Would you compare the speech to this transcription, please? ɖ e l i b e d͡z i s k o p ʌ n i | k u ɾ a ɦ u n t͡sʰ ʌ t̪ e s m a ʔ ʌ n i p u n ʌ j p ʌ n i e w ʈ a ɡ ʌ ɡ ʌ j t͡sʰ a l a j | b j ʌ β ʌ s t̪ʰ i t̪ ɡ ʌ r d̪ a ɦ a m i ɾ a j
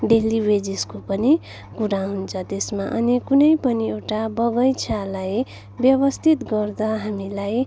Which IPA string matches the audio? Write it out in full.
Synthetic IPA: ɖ e l i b e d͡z i s k o p ʌ n i | k u ɾ a ɦ u n t͡sʰ ʌ t̪ e s m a ʔ ʌ n i k u n ʌ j p ʌ n i e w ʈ a b ʌ ɡ ʌ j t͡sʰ a l a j | b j ʌ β ʌ s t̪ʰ i t̪ ɡ ʌ r d̪ a ɦ a m i l a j